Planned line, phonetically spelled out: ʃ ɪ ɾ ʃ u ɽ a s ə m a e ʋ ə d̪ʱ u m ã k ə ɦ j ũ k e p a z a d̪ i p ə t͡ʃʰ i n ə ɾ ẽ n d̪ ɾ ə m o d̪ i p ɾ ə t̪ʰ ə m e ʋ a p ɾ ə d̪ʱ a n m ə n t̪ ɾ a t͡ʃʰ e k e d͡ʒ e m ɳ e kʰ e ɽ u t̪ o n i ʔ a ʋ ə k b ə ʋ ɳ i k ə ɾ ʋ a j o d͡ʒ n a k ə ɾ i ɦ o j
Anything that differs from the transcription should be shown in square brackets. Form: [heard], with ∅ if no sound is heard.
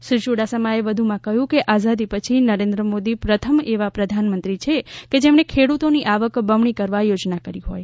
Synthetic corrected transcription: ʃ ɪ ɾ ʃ u ɽ a s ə m a e ʋ ə d̪ʱ u m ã k ə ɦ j ũ k e [ʔ] a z a d̪ i p ə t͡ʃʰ i n ə ɾ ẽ n d̪ ɾ ə m o d̪ i p ɾ ə t̪ʰ ə m e ʋ a p ɾ ə d̪ʱ a n m ə n t̪ ɾ [i] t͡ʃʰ e k e d͡ʒ e m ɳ e kʰ e ɽ u t̪ o n i ʔ a ʋ ə k b ə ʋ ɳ i k ə ɾ ʋ a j o d͡ʒ n a k ə ɾ i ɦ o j